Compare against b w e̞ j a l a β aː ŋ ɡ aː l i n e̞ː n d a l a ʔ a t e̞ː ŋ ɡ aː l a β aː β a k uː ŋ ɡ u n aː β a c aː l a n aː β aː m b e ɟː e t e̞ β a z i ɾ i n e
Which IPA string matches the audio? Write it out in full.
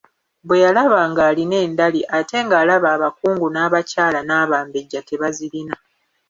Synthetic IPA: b w e̞ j a l a β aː ŋ ɡ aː l i n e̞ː n d a l i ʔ a t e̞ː ŋ ɡ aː l a β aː β a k uː ŋ ɡ u n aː β a c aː l a n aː β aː m b e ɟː a t e̞ β a z i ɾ i n a